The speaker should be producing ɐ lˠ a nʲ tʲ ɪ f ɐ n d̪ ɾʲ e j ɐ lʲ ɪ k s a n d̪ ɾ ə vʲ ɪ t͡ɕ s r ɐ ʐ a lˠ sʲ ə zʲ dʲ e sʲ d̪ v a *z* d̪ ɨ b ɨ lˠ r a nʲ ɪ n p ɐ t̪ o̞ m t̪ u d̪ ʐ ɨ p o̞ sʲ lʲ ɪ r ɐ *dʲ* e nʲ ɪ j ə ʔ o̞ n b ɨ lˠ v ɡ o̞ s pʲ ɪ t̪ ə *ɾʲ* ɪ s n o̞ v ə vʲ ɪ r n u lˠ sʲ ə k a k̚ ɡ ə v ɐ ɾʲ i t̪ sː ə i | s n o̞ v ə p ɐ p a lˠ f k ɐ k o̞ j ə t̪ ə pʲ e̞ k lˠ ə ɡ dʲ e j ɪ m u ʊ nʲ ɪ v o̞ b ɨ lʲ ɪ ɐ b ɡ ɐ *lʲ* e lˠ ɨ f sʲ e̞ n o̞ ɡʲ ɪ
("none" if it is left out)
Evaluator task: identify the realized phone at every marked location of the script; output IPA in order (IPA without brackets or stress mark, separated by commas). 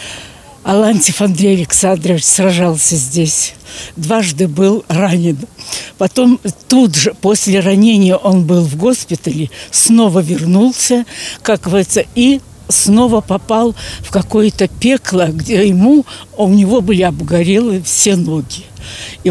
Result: ʐ, nʲ, lʲ, ɾʲ